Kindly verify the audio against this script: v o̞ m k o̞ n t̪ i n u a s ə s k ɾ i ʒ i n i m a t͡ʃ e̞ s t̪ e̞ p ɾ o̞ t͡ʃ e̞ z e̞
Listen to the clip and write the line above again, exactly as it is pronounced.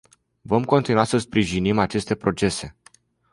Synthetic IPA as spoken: v o̞ m k o̞ n t̪ i n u a s ə s p ɾ i ʒ i n i m a t͡ʃ e̞ s t̪ e̞ p ɾ o̞ t͡ʃ e̞ s e̞